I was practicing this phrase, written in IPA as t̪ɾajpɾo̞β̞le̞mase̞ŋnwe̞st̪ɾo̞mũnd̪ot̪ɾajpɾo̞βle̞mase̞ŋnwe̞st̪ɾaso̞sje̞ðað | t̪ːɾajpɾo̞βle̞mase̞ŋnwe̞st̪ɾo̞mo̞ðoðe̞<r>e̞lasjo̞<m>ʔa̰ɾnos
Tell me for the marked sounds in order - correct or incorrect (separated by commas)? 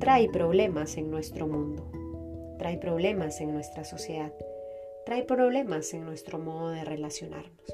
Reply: correct, incorrect